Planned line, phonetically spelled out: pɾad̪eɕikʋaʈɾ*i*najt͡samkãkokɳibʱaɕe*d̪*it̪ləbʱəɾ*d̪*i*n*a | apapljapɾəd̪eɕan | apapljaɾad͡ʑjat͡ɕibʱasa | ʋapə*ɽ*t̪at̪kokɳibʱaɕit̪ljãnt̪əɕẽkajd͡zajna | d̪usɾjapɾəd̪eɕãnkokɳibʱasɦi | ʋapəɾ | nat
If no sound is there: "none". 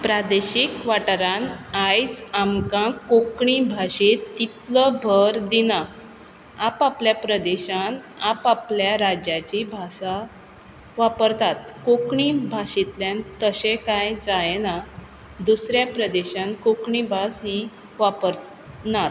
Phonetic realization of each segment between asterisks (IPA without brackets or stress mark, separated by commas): a, t̪, d̪, n, ɾ